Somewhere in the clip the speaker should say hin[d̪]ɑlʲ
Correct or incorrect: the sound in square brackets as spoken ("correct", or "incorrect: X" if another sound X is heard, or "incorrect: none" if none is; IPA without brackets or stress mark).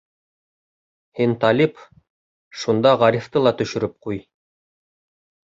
incorrect: t̪